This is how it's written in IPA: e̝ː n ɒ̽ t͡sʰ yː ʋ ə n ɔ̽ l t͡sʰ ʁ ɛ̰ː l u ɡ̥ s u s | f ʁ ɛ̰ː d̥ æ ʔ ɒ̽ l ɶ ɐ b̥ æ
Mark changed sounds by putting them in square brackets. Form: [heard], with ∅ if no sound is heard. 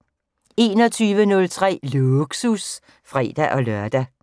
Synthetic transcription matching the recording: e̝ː n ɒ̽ t͡sʰ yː ʋ ə n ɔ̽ l t͡sʰ ʁ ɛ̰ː l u ɡ̥ s u s | f ʁ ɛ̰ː d̥ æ ʔ ɒ̽ l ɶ ɐ [d̥] æ